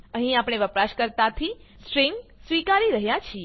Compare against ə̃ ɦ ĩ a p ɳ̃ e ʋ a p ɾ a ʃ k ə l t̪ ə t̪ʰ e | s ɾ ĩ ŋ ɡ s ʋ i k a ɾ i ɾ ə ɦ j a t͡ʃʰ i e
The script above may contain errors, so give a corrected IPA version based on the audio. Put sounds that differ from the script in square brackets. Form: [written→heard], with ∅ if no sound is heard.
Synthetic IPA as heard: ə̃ ɦ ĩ a p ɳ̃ e ʋ [a→ə] p ɾ a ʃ k ə [l→ɾ] t̪ [ə→a] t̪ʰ [e→i] | s ɾ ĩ ŋ ɡ s ʋ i k a ɾ i ɾ ə ɦ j a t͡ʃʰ i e